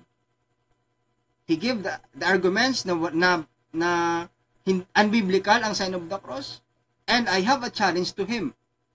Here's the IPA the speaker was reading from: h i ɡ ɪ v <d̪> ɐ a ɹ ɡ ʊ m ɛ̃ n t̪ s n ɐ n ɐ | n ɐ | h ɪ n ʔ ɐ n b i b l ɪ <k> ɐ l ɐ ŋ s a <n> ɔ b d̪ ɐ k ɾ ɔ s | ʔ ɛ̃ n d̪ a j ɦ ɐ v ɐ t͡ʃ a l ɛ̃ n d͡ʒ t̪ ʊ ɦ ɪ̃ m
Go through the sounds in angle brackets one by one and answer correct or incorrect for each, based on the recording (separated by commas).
correct, correct, correct